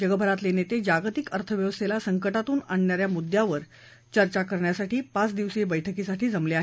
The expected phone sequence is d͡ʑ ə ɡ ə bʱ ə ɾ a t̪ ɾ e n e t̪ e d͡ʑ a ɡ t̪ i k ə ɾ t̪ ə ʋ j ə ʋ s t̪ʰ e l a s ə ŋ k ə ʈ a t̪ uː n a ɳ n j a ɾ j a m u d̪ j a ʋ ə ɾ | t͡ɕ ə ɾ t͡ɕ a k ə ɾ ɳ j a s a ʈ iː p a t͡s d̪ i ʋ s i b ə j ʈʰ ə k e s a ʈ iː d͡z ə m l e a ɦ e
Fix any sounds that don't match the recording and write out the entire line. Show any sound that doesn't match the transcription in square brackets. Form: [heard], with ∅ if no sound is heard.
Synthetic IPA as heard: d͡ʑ ə ɡ ə bʱ ə ɾ a t̪ [l] e n e t̪ e d͡ʑ a ɡ t̪ i k ə ɾ [t̪ʰ] ə ʋ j ə ʋ s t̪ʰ e l a s ə ŋ k ə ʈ a t̪ uː n a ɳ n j a ɾ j a m u d̪ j a ʋ ə ɾ | t͡ɕ ə ɾ t͡ɕ a k ə ɾ ɳ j a s a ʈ iː p a t͡s d̪ i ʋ s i b ə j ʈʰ ə k [i] s a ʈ iː d͡z ə m l e a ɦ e

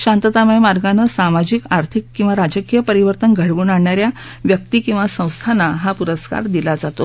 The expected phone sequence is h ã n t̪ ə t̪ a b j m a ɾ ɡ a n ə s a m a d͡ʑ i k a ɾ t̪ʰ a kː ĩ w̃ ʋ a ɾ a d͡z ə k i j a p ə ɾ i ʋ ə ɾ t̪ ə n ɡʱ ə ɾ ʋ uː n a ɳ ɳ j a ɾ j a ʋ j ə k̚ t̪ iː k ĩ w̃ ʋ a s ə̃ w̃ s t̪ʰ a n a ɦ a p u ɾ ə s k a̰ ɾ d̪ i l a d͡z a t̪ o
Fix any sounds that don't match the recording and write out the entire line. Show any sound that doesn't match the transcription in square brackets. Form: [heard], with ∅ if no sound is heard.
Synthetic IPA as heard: [ɕ] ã n t̪ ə t̪ a [m] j m a ɾ ɡ a n ə s a m a d͡ʑ i k a ɾ t̪ʰ [i] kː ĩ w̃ ʋ a ɾ a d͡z ə k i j [ə] p ə ɾ i ʋ ə ɾ t̪ ə n ɡʱ ə [ɽ] ʋ uː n a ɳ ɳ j a ɾ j a ʋ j ə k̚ t̪ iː k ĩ w̃ ʋ a s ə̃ w̃ s t̪ʰ a n a ɦ a p u ɾ ə s k a̰ ɾ d̪ i l a d͡z a t̪ o

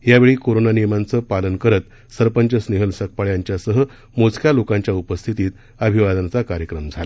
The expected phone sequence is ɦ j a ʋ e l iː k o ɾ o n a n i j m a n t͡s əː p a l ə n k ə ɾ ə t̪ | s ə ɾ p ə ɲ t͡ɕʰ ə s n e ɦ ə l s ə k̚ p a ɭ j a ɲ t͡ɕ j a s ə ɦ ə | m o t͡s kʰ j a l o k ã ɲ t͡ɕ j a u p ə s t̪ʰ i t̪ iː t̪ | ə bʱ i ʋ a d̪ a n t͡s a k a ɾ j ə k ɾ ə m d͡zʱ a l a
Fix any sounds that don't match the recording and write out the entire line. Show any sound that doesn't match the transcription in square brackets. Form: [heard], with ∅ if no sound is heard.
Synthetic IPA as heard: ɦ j a ʋ e [ɭ] iː k o ɾ o n a n i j m a n t͡s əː p a l ə n k ə ɾ ə t̪ | s ə ɾ p ə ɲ [t͡ɕ] ə s n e ɦ ə l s ə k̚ p a ɭ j a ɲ t͡ɕ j a s ə ɦ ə | m o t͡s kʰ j a l o k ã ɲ t͡ɕ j a u p ə s t̪ʰ i t̪ iː t̪ | ə bʱ i ʋ a d̪ a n t͡s a k a ɾ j ə k ɾ ə m d͡zʱ a l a

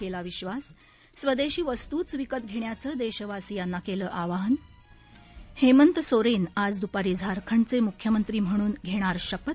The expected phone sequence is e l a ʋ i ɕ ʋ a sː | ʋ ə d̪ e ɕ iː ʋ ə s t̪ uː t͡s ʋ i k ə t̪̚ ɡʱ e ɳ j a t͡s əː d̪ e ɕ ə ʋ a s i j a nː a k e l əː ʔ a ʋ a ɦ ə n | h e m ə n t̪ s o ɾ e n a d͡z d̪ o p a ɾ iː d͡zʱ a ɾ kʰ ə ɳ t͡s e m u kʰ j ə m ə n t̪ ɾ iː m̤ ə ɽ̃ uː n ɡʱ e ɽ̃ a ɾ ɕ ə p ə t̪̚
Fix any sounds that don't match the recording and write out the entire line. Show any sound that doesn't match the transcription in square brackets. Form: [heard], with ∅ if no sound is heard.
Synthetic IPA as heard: e l a ʋ i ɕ ʋ a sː | ʋ ə d̪ e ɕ iː ʋ ə s t̪ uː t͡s ʋ i k ə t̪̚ ɡʱ e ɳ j a t͡s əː d̪ e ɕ ə ʋ a s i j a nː a k e l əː ʔ a ʋ a ɦ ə n | h e m ə n t̪ s o ɾ e n a d͡z d̪ [u] p a ɾ iː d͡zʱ a ɾ kʰ ə ɳ t͡s e m u kʰ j ə m ə n t̪ ɾ iː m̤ ə ɽ̃ uː n ɡʱ e ɽ̃ a ɾ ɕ ə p ə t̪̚

